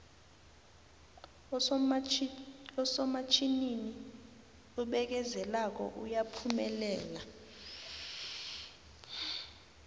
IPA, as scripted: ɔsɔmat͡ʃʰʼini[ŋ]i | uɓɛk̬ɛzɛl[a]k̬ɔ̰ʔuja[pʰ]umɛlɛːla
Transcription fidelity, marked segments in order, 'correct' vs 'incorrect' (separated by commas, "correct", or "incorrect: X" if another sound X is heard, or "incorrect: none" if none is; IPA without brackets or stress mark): incorrect: n, correct, correct